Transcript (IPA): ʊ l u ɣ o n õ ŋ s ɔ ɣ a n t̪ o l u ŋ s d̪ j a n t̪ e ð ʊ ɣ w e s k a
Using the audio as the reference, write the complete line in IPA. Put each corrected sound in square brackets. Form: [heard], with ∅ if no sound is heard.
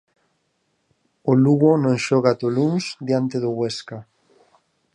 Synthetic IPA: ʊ l u ɣ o n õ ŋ [ʃ] ɔ ɣ a [∅] t̪ o l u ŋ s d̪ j a n t̪ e ð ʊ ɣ w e s k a